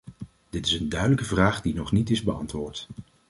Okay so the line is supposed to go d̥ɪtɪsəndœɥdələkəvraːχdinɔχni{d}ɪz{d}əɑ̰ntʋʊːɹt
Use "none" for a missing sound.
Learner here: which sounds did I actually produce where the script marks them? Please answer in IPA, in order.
t, b

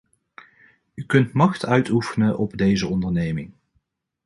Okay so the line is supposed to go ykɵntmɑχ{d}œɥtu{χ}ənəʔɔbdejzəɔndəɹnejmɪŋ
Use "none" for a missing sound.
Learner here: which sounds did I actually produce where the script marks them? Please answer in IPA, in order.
t, f

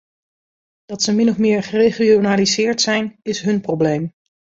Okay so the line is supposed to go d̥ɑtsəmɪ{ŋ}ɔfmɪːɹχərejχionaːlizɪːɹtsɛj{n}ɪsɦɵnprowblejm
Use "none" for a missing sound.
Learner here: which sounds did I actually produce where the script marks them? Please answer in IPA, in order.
n, n

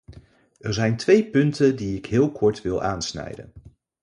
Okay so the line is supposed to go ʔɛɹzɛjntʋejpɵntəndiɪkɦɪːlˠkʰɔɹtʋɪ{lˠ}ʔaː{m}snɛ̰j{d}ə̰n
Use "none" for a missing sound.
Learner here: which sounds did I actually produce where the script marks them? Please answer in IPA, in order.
lˠ, n, d

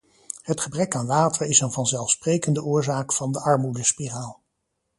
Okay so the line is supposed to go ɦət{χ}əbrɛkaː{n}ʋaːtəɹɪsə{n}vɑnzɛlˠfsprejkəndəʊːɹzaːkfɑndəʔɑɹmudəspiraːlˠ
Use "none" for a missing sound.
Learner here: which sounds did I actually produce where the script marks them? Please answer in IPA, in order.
χ, n, n

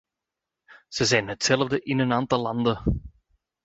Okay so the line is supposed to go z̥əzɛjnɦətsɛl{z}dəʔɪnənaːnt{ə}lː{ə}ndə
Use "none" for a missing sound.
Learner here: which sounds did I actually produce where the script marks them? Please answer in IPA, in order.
v, ɑ, ɑ

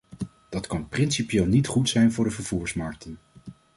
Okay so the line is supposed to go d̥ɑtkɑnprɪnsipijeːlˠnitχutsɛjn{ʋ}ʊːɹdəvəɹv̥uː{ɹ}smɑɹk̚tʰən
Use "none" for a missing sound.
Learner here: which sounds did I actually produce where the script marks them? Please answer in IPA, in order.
v, ɹ

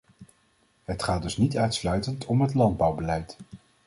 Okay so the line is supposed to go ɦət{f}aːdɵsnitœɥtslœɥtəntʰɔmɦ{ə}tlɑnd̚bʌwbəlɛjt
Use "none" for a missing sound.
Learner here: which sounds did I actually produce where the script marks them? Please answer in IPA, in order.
χ, ə

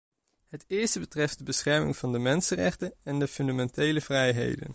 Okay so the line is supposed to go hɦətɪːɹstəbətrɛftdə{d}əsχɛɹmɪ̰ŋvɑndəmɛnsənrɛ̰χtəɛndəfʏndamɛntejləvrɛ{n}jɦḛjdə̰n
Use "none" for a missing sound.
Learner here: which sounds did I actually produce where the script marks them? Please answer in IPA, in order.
b, none

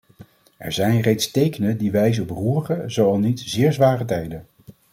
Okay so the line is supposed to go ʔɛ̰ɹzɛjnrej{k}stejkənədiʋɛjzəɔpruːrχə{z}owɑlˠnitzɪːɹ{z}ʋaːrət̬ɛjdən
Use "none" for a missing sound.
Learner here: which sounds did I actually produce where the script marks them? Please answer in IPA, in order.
t, z, z

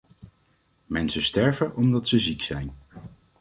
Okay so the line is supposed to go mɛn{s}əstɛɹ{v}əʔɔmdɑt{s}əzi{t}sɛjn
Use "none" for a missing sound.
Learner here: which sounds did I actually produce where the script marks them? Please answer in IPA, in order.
s, v, s, k

